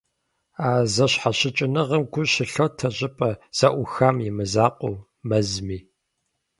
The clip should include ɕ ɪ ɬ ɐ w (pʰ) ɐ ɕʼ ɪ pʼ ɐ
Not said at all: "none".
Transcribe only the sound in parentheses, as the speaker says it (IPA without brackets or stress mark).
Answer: tʰ